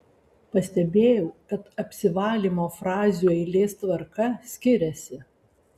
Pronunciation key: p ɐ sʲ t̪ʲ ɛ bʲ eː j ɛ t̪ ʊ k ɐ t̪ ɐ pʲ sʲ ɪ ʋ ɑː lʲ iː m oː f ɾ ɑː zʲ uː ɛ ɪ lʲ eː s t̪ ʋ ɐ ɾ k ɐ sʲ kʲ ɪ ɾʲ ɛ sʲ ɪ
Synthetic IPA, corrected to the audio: p ɐ sʲ t̪ʲ ɛ bʲ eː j ɛ ʊ k ɐ t̪ ɐ pʲ sʲ ɪ ʋ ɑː lʲ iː m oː f ɾ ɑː zʲ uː ɛ ɪ lʲ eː s t̪ ʋ ɐ ɾ k ɐ sʲ kʲ ɪ ɾʲ ɛ sʲ ɪ